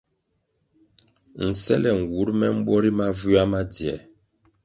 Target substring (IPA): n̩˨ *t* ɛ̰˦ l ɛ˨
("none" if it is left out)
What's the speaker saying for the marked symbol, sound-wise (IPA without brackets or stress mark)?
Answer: s